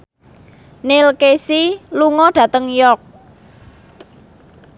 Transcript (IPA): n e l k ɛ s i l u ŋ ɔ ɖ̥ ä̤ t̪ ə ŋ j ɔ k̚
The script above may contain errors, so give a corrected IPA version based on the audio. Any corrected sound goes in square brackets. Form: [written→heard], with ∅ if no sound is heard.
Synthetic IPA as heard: n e l k [ɛ→e] s i l u ŋ ɔ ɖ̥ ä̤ t̪ ə ŋ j ɔ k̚